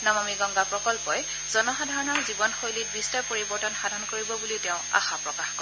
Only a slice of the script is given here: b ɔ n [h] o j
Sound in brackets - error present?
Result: yes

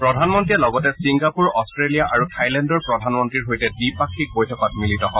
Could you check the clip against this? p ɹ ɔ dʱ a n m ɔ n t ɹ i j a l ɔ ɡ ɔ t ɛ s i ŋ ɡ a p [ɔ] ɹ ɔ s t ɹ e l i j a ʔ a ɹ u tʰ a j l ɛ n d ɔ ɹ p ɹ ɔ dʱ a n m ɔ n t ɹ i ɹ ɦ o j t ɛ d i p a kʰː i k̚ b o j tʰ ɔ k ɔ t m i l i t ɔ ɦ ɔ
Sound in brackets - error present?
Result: yes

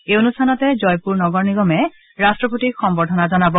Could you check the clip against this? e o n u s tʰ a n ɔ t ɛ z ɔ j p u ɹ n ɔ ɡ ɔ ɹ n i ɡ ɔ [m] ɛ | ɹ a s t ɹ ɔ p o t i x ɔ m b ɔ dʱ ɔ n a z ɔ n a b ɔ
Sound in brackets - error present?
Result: no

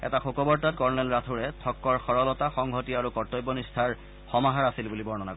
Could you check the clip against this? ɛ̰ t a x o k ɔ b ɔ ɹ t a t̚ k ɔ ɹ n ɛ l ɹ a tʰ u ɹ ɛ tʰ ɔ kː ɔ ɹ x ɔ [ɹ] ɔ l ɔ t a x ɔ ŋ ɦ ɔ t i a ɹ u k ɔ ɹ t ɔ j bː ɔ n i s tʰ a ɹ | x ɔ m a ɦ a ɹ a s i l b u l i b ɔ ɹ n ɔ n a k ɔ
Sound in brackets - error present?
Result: no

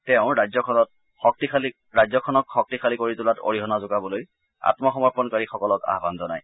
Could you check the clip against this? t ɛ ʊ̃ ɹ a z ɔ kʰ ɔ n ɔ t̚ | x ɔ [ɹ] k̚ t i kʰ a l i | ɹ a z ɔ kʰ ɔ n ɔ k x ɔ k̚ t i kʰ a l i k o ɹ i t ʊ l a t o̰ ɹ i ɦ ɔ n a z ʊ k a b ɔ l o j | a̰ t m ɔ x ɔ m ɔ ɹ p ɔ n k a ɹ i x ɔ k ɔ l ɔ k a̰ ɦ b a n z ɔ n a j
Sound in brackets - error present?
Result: yes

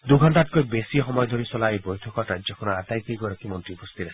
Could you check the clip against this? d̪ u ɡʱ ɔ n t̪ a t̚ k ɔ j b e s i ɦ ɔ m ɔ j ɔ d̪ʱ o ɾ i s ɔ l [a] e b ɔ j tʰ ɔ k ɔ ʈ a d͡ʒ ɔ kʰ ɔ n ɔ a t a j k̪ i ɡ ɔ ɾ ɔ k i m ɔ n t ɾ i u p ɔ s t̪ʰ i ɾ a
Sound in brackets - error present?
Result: no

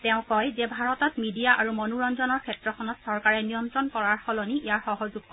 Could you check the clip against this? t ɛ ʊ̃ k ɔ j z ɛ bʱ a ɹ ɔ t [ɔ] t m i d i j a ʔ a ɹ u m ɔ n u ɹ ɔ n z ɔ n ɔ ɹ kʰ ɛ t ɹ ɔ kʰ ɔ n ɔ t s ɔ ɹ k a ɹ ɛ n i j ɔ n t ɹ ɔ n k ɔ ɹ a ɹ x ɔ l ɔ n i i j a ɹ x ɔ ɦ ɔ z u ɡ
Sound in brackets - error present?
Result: no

